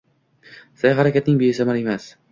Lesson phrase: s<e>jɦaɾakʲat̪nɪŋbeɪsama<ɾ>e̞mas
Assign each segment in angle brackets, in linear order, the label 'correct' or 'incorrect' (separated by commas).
incorrect, correct